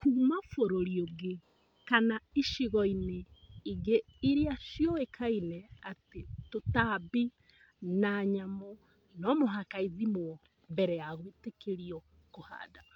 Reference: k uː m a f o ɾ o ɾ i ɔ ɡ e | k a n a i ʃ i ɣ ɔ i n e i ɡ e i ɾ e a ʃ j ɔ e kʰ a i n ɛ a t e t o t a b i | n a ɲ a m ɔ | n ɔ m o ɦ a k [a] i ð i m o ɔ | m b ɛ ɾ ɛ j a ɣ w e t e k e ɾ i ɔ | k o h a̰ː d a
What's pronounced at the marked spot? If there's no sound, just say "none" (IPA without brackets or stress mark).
a